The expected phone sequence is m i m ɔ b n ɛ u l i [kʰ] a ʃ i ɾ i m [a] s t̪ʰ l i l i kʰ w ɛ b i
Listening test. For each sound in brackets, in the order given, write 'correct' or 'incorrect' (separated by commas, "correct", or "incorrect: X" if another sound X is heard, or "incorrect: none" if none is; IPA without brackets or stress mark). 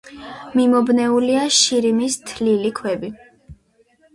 incorrect: none, incorrect: i